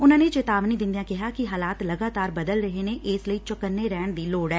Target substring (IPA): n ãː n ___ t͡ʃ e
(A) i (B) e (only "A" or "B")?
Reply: B